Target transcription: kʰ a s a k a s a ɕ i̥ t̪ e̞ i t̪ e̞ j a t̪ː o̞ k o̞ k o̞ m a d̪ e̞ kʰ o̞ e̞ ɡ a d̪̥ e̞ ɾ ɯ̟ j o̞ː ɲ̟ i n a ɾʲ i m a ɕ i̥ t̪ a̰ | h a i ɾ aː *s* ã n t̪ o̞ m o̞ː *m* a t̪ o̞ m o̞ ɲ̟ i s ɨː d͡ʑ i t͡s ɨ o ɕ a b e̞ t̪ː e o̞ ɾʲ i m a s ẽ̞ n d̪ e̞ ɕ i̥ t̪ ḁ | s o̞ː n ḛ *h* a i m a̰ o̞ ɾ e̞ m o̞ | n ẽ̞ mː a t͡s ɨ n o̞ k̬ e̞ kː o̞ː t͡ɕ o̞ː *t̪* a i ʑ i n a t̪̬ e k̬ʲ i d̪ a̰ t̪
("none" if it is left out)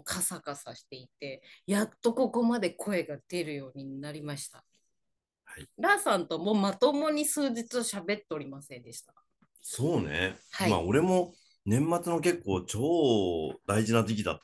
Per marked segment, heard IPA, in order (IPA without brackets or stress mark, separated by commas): s, m, h, d̪